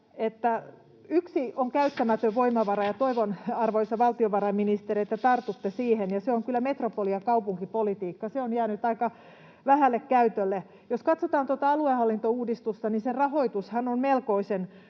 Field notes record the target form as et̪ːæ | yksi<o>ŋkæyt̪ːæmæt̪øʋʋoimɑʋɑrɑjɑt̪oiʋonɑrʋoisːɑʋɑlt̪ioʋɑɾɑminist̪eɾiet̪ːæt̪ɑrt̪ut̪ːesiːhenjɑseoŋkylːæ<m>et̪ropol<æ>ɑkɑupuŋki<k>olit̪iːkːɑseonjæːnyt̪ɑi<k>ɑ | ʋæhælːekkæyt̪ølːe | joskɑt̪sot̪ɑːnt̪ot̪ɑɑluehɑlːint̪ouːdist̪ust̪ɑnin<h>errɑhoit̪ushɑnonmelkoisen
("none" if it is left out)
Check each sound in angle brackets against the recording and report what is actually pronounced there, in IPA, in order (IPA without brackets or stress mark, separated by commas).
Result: o, m, i, p, k, s